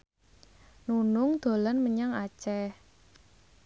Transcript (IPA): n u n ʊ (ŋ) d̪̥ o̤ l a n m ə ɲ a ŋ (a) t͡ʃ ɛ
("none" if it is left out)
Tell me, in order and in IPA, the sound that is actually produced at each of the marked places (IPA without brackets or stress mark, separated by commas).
ŋ, a